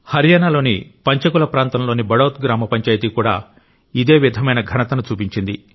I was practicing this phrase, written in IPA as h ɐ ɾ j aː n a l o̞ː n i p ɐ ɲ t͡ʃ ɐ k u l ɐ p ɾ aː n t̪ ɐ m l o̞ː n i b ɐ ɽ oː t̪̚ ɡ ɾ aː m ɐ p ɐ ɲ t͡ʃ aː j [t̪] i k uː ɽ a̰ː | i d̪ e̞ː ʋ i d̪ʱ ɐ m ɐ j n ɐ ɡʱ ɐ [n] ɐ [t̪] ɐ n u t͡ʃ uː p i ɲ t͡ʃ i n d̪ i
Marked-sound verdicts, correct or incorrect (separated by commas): correct, correct, correct